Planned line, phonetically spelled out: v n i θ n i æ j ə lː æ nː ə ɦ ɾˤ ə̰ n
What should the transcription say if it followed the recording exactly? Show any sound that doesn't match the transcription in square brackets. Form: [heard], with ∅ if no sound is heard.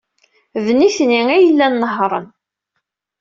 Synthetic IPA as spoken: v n i θ n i æ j ə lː æ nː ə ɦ ɾˤ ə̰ n